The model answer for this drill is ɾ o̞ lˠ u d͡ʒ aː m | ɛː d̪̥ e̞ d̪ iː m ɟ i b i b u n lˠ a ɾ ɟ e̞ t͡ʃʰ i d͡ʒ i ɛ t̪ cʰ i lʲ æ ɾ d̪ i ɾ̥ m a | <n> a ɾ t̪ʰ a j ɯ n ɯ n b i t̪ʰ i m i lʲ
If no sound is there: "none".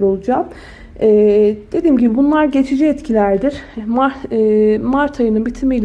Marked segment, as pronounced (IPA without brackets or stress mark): m